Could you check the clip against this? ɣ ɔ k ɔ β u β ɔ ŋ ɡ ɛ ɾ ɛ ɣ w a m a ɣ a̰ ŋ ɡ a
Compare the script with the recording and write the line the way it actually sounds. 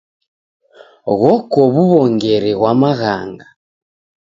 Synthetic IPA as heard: ɣ ɔ k ɔ β u β ɔ ŋ ɡ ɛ ɾ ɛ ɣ w a m a ɣ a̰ ŋ ɡ a